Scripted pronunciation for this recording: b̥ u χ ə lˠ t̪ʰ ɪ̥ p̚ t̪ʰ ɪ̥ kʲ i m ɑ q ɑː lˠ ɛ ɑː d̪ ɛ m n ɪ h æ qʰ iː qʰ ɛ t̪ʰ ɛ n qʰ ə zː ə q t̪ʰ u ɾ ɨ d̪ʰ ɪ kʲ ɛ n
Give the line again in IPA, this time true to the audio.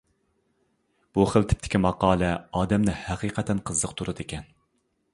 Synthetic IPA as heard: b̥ u χ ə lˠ t̪ʰ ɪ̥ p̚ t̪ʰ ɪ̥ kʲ i m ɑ q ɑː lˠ ɛ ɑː d̪ ɛ m n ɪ h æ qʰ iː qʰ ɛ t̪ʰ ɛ n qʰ ə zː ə q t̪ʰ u ɾ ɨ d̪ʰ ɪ kʲ ɛ n